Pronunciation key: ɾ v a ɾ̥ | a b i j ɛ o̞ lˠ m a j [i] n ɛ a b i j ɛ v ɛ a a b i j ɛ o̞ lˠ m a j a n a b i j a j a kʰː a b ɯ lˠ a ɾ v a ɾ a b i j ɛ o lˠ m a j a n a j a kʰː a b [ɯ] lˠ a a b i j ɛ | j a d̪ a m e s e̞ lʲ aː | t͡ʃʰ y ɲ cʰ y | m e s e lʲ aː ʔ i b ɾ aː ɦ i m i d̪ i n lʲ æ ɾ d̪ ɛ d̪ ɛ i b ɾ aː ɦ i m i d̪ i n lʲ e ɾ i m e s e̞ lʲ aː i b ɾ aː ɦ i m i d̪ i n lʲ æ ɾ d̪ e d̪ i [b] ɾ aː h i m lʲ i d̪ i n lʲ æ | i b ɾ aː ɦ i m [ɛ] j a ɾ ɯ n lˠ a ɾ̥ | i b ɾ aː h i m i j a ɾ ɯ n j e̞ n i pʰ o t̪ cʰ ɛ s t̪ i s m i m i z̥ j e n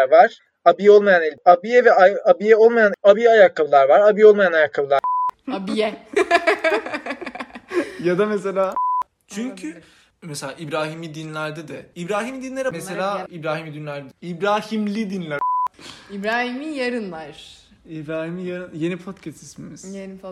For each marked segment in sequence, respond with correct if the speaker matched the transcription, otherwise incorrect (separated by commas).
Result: incorrect, correct, correct, incorrect